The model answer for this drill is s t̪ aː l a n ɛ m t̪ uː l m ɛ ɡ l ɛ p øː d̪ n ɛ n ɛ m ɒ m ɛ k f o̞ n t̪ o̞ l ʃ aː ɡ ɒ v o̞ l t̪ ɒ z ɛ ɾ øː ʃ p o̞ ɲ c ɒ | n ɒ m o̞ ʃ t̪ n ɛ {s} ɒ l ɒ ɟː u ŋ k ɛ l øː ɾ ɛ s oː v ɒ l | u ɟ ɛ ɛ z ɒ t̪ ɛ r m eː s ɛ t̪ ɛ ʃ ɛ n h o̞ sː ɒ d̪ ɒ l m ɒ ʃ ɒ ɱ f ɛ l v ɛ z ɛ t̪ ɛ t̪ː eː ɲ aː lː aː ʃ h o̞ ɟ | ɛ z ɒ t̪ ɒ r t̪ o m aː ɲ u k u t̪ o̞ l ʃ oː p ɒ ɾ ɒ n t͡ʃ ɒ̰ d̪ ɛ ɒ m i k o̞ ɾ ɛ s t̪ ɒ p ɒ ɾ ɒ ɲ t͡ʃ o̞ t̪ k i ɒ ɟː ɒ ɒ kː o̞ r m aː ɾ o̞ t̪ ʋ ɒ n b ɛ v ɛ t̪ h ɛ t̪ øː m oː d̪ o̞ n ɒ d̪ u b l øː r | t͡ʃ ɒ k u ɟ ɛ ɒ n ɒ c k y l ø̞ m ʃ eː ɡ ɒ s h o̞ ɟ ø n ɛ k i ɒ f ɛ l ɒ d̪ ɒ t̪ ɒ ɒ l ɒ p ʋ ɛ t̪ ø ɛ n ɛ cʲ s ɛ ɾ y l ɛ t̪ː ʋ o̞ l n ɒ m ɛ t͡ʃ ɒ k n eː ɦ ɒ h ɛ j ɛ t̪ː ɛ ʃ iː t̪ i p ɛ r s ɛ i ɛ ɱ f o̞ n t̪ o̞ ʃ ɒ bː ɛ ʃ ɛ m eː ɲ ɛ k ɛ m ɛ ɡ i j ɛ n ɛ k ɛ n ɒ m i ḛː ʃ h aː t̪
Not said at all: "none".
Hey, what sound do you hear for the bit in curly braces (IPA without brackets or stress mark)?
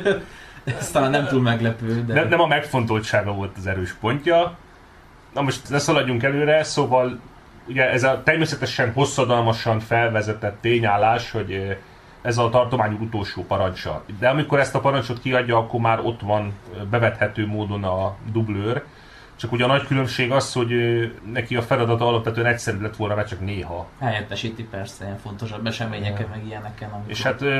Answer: s